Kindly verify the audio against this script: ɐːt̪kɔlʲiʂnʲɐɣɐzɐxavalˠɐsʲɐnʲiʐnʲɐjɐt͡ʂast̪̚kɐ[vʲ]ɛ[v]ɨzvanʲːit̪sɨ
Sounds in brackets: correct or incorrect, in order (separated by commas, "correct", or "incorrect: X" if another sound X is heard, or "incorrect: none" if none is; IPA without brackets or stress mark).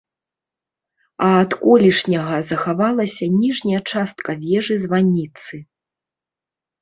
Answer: correct, incorrect: ʐ